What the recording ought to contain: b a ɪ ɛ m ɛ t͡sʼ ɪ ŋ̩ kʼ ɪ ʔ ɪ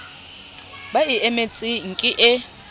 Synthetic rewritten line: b a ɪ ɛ m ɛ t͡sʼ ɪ ŋ̩ kʼ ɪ ʔ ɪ